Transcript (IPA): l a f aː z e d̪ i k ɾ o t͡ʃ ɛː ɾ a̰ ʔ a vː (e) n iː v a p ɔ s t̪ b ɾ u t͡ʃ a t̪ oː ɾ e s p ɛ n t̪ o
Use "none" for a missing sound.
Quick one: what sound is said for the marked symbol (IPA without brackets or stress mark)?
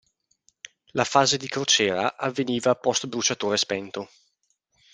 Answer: e